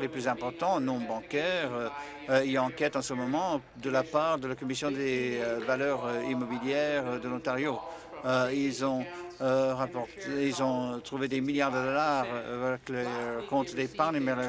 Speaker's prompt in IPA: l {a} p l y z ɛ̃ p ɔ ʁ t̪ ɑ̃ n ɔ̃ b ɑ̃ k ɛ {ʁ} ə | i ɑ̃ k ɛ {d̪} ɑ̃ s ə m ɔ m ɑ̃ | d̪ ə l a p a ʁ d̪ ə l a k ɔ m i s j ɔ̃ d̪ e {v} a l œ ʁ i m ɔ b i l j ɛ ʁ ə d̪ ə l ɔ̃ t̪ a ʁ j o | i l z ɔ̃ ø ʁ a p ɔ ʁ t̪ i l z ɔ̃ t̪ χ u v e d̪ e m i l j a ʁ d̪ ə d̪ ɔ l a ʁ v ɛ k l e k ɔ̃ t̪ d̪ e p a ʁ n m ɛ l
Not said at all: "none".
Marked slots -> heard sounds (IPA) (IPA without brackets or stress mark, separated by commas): e, ʁ, t̪, v